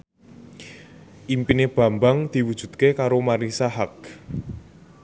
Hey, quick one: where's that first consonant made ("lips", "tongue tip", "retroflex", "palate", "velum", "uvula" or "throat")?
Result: throat